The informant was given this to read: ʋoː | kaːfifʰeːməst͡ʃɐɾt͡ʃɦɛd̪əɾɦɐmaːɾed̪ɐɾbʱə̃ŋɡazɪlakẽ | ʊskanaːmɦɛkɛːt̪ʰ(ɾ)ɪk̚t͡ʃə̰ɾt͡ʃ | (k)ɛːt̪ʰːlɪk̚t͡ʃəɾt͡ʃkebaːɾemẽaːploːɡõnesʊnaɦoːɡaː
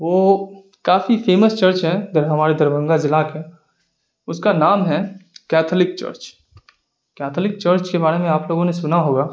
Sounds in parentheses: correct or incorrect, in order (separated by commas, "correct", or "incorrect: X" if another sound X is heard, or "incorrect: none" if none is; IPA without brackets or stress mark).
incorrect: l, correct